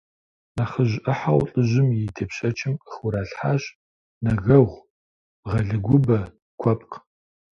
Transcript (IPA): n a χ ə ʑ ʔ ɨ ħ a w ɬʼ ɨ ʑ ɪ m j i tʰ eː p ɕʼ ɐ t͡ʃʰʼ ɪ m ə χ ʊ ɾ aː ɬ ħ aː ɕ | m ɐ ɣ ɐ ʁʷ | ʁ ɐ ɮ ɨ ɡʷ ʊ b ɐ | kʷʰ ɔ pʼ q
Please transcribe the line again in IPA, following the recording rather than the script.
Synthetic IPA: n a χ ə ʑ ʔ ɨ ħ a w ɬʼ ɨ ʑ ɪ m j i tʰ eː p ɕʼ ɐ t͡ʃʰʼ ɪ m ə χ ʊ ɾ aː ɬ ħ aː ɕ | n ɐ ɣ ɐ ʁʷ | ʁ ɐ ɮ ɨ ɡʷ ʊ b ɐ | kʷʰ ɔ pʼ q